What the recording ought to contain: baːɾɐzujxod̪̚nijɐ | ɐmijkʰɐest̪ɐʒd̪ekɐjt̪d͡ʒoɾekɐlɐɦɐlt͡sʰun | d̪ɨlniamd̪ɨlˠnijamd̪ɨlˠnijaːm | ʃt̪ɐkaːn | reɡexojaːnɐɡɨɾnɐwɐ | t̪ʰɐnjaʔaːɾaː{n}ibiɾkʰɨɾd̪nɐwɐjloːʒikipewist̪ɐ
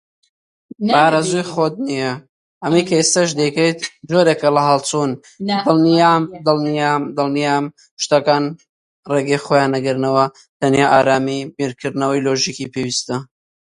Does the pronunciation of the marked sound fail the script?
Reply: yes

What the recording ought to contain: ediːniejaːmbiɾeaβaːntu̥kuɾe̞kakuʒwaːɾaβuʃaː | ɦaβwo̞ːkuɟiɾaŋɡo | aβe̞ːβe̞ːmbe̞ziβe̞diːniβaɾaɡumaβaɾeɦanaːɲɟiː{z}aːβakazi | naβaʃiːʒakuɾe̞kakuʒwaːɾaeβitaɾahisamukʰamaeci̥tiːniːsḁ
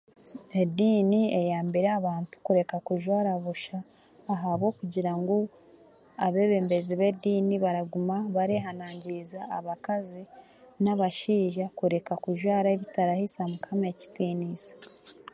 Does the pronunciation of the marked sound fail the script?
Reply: no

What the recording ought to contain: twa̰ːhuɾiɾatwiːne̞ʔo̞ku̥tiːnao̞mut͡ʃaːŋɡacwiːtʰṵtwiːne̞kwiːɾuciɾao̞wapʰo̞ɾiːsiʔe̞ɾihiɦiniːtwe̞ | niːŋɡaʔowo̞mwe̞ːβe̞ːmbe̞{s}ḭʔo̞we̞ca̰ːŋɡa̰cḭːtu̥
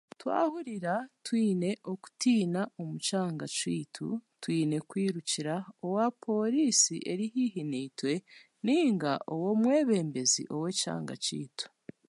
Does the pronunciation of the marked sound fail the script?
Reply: yes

